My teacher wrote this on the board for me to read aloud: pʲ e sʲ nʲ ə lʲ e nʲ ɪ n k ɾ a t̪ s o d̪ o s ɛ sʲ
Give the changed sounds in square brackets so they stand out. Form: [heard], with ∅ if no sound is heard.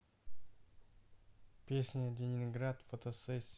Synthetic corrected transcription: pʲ e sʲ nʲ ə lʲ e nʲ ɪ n [ɡ] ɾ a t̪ [f] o [t̪] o s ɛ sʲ